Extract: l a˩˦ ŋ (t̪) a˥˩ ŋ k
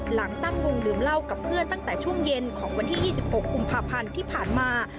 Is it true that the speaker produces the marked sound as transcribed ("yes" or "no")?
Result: yes